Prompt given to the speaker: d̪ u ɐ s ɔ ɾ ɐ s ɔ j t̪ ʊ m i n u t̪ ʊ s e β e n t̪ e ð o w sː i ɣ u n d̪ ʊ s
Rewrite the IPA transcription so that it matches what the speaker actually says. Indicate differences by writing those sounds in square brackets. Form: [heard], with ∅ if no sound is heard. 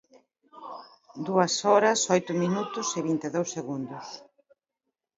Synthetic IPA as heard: d̪ u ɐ s ɔ ɾ ɐ s ɔ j t̪ ʊ m i n u t̪ ʊ s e β [i] n t̪ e ð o w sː [e] ɣ u n d̪ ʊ s